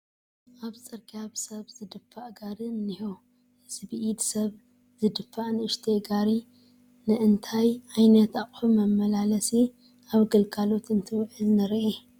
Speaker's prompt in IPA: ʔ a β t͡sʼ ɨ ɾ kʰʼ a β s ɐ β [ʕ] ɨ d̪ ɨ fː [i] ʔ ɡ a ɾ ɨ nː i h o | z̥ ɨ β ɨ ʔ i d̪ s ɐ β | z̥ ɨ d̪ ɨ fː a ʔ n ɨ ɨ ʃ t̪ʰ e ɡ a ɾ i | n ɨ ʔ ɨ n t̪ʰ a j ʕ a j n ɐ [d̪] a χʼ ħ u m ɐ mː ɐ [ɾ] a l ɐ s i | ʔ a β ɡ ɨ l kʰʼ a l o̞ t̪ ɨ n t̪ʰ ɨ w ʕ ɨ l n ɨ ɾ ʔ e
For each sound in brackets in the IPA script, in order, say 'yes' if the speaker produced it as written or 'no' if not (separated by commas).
no, no, no, no